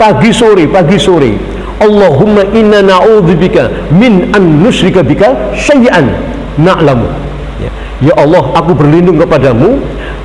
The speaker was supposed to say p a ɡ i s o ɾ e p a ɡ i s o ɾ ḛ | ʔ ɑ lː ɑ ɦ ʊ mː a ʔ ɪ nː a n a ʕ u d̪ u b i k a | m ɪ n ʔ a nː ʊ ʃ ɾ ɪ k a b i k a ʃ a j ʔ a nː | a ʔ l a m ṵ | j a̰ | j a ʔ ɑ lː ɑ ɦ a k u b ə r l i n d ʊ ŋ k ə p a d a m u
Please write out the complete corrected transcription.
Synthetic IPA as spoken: p a ɡ i s o ɾ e p a ɡ i s o ɾ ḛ | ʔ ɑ lː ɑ ɦ ʊ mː a ʔ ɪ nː a n a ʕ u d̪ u b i k a | m ɪ n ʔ a nː ʊ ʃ ɾ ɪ k a b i k a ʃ a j ʔ a nː | a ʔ l a m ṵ | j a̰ | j a ʔ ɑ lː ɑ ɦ a k u b ə r l i n d ʊ ŋ k ə p a d a m u

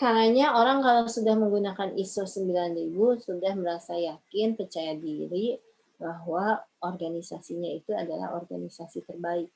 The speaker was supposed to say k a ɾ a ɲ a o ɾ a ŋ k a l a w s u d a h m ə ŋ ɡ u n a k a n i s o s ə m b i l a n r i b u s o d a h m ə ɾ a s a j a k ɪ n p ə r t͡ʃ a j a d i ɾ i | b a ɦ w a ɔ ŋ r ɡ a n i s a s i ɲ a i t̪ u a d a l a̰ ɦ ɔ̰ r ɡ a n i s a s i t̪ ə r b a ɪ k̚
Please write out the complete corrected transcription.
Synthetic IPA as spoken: k a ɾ a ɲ a o ɾ a ŋ k a l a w s u d a h m ə ŋ ɡ u n a k a n i s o s ə m b i l a n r i b u s u d a h m ə ɾ a s a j a k ɪ n p ə r t͡ʃ a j a d i ɾ i | b a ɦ w a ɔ r ɡ a n i s a s i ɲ a i t̪ u a d a l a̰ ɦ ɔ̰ r ɡ a n i s a s i t̪ ə r b a ɪ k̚

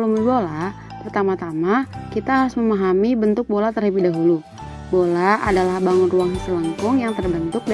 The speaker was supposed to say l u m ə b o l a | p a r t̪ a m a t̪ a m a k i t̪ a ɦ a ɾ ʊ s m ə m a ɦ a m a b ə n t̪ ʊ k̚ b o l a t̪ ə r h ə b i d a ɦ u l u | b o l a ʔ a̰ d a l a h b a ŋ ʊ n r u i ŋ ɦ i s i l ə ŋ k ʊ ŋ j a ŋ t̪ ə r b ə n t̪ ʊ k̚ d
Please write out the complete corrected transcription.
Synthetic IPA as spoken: l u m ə b o l a | p ə r t̪ a m a t̪ a m a k i t̪ a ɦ a ɾ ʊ s m ə m a ɦ a m i b ə n t̪ ʊ k̚ b o l a t̪ ə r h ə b i d a ɦ u l u | b o l a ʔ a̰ d a l a h b a ŋ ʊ n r u a ŋ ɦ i s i l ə ŋ k ʊ ŋ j a ŋ t̪ ə r b ə n t̪ ʊ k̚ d

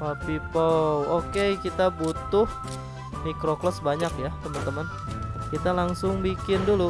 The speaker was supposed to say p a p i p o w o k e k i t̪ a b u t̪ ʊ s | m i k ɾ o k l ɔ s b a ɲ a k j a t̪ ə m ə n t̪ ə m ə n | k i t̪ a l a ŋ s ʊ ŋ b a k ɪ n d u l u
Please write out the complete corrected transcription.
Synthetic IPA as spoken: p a p i p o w o k e k i t̪ a b u t̪ ʊ h | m i k ɾ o k l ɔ s b a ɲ a k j a t̪ ə m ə n t̪ ə m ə n | k i t̪ a l a ŋ s ʊ ŋ b i k ɪ n d u l u

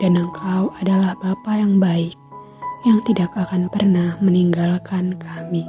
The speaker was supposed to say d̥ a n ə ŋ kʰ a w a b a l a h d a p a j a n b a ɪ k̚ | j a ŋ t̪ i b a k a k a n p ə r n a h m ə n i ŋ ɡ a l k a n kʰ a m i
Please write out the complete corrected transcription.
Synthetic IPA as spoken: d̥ a n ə ŋ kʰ a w a d a l a h b a p a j a ŋ b a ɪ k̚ | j a ŋ t̪ i d a k a k a n p ə r n a h m ə n i ŋ ɡ a l k a n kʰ a m i

